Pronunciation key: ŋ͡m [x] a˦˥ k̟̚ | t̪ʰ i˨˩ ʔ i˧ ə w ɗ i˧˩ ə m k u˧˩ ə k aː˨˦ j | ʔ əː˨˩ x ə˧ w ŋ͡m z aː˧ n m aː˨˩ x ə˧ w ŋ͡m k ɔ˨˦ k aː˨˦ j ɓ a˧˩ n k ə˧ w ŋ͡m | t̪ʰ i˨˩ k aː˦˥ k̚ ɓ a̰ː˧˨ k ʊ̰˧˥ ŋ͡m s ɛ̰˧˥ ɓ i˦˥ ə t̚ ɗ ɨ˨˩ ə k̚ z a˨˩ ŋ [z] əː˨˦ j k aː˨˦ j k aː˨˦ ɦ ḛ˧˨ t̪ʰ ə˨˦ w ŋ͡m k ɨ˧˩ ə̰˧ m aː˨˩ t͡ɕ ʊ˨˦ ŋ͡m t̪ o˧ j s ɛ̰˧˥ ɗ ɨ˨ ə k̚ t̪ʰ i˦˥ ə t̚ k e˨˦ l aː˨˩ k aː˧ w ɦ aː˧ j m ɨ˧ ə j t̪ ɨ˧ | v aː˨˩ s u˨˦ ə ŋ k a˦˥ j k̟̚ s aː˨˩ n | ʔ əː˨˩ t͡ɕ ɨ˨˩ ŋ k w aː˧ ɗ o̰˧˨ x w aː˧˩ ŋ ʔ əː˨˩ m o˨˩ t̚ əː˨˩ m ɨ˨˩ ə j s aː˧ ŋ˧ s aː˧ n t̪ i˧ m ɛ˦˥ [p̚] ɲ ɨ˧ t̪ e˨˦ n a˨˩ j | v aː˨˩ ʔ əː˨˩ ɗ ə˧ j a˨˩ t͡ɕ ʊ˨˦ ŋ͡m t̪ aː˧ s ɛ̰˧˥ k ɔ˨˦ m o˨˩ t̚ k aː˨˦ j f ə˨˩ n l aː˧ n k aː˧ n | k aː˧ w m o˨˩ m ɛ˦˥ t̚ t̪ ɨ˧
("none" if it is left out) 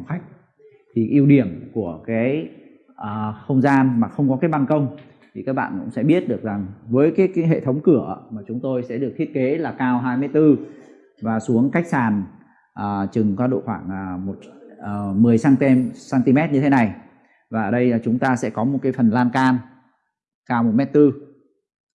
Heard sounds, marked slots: x, v, t̚

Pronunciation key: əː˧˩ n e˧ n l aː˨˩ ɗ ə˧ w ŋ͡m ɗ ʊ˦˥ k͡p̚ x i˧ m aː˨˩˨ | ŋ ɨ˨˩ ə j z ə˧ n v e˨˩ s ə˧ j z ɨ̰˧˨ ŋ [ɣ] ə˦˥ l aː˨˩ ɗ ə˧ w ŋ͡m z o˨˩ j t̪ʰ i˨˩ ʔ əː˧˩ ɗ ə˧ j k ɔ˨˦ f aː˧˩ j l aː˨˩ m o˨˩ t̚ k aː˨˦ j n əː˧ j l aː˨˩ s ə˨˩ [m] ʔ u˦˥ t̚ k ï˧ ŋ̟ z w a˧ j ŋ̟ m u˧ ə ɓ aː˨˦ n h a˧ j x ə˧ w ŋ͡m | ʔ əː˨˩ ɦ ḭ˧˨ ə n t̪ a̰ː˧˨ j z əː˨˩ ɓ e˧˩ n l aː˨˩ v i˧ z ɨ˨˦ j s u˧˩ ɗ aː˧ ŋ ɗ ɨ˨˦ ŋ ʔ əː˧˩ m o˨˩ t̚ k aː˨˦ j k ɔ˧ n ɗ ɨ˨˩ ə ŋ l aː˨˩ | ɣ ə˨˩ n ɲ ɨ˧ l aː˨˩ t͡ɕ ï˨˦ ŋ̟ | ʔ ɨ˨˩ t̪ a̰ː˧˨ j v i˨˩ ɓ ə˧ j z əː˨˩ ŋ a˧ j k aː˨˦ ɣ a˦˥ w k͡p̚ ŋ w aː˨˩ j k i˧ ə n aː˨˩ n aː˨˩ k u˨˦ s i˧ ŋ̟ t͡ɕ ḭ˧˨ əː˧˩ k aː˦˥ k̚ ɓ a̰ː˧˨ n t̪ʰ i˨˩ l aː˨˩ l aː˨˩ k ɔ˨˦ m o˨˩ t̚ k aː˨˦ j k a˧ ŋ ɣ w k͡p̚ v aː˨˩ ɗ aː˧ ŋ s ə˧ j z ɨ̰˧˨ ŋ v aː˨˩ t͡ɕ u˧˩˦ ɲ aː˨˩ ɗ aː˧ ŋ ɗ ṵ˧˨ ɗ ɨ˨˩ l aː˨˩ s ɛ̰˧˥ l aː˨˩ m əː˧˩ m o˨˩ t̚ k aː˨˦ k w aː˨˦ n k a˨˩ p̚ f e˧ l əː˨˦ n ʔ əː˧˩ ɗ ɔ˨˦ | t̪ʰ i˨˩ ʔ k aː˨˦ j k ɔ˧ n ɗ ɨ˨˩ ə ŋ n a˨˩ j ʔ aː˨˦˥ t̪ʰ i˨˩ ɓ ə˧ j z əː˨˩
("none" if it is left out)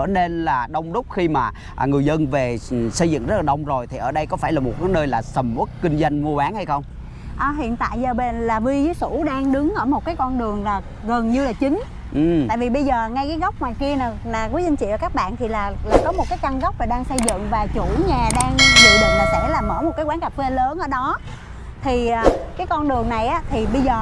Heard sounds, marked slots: z, m

